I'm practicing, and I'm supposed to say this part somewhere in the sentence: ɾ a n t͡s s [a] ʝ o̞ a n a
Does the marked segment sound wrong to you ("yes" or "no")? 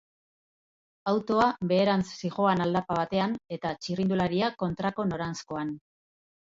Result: yes